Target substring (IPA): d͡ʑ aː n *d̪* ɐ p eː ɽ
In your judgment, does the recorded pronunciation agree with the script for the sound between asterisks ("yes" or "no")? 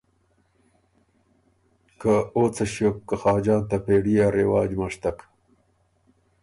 no